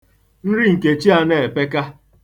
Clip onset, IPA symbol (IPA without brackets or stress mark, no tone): n̩